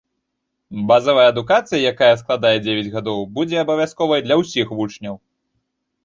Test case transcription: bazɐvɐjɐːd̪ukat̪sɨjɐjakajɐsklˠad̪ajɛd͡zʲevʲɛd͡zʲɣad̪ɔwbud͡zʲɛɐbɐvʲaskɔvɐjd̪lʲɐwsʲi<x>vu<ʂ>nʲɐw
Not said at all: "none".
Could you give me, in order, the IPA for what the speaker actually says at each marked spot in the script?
x, t͡ʂ

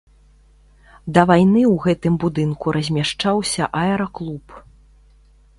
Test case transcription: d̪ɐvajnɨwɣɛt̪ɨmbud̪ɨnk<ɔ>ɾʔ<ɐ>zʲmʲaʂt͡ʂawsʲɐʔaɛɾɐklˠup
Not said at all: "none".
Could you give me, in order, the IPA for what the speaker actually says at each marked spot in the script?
u, ɐ

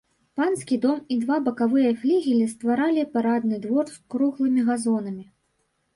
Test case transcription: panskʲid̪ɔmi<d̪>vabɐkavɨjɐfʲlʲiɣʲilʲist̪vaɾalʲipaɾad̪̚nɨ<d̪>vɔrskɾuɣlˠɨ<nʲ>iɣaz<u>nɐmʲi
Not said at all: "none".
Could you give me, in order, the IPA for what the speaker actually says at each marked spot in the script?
d̪, d̪, mʲ, ɔ

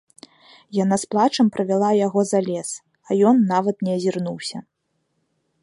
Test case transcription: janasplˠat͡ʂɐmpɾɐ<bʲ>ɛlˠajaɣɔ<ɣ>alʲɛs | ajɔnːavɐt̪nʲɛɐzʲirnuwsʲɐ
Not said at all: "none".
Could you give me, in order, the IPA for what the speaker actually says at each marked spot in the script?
vʲ, z

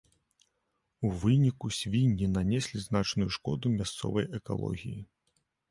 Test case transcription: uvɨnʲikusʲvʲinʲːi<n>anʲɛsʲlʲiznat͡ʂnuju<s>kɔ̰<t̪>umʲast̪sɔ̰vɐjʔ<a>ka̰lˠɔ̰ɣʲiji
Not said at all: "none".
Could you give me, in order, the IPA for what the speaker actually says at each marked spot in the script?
n, ʂ, d̪, ɛ

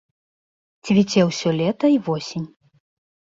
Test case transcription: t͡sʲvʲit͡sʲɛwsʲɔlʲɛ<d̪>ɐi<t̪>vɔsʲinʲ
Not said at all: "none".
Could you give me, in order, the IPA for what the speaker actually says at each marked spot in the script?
t̪, none

